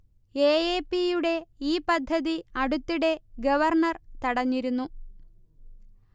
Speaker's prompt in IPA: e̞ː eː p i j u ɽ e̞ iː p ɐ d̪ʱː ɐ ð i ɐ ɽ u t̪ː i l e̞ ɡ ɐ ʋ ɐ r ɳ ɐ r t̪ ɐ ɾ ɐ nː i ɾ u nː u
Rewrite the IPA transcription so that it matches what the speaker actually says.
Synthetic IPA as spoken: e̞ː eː p i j u ɽ e̞ iː p ɐ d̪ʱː ɐ ð i ɐ ɽ u t̪ː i ɽ e̞ ɡ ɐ ʋ ɐ r ɳ ɐ r t̪ ɐ ɽ ɐ ɲː i ɾ u nː u